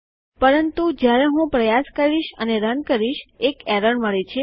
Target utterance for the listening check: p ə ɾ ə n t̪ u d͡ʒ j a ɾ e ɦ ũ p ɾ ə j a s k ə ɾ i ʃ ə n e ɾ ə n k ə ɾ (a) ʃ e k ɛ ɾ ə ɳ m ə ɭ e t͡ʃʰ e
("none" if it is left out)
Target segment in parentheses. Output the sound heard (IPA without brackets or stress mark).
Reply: i